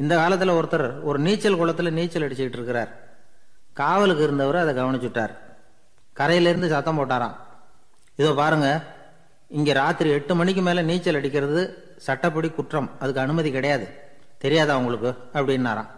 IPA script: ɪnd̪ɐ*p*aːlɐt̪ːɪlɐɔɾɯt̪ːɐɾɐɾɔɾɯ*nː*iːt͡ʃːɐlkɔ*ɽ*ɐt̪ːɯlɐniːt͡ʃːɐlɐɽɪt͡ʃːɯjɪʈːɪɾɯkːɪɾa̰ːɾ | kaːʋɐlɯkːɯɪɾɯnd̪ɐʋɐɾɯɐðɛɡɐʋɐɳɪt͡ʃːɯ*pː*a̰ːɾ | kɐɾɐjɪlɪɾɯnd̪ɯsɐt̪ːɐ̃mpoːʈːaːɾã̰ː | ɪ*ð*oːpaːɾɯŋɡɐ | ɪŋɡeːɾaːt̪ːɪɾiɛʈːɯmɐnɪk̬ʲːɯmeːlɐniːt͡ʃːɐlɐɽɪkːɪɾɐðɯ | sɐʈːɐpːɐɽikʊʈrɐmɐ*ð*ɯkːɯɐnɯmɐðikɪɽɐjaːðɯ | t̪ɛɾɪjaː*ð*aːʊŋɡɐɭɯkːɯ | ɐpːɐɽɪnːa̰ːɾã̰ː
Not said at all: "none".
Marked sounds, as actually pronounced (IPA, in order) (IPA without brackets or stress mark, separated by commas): k, n, ɭ, ʈː, ð, ð, ð